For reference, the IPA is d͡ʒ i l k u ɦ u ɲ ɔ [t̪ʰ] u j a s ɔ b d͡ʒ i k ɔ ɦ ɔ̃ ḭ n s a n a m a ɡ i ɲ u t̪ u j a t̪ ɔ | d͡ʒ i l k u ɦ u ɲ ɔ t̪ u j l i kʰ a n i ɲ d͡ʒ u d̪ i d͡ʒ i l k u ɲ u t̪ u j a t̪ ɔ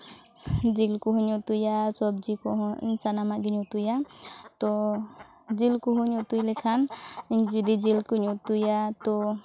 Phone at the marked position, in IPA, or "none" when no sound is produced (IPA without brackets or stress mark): t̪